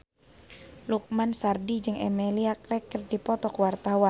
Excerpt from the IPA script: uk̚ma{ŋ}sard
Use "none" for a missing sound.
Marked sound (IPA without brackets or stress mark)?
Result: n